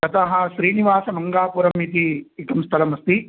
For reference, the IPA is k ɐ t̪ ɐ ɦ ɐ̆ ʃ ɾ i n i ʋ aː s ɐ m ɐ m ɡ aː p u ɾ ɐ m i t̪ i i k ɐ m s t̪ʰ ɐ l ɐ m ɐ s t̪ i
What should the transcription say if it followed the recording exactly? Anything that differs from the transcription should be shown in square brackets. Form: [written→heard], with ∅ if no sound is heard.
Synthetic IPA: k ɐ t̪ ɐ ɦ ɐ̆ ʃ ɾ [i→iː] n i ʋ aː s ɐ m ɐ [m→ŋ] ɡ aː p u ɾ ɐ m i t̪ i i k ɐ m s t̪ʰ ɐ l ɐ m ɐ s t̪ i